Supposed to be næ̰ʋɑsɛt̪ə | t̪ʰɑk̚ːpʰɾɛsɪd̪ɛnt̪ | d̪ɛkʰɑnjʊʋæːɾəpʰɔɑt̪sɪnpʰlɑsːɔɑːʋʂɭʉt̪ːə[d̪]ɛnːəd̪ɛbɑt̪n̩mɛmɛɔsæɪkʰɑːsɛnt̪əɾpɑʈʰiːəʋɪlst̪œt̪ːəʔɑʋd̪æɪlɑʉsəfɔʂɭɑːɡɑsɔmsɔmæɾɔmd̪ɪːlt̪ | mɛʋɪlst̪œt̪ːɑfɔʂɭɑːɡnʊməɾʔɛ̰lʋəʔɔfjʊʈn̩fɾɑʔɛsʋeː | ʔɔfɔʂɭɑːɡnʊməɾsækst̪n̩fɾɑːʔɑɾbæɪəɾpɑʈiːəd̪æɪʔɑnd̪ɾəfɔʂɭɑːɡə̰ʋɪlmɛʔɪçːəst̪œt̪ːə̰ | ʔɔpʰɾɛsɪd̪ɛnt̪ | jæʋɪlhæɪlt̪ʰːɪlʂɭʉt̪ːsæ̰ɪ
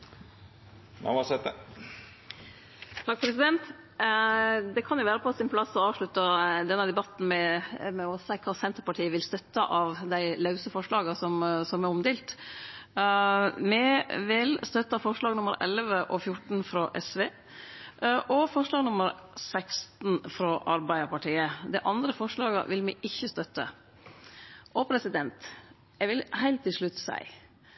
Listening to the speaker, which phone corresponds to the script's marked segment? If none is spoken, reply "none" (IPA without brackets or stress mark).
d̪